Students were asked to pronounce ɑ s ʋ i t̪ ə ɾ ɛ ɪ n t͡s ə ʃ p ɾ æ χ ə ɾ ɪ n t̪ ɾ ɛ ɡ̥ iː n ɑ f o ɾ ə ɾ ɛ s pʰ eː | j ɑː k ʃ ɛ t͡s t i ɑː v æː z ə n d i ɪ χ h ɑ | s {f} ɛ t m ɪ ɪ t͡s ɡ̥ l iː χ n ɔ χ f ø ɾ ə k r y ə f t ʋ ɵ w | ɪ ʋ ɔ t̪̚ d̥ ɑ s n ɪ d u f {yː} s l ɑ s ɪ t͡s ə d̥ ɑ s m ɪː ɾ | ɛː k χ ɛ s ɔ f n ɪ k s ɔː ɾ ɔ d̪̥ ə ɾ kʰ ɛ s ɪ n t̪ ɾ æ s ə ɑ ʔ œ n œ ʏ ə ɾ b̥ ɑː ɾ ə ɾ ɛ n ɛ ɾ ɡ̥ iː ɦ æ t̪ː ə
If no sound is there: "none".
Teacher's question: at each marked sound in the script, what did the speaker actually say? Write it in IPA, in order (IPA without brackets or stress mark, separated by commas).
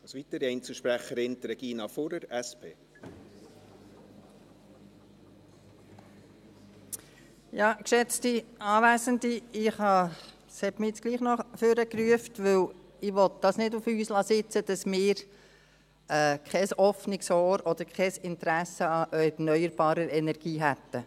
h, yː